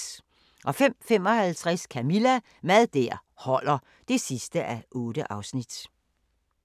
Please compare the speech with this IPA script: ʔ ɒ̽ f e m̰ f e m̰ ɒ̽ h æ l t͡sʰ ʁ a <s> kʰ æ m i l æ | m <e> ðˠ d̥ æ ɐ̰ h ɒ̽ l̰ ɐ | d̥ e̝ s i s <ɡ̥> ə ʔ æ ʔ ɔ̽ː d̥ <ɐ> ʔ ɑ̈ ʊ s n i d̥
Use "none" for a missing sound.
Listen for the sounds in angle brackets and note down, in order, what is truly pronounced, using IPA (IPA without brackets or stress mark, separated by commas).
s, æ, d̥, ə